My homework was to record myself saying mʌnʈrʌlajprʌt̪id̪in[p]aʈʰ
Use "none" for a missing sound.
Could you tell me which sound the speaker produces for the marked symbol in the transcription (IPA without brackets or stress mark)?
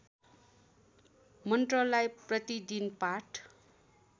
p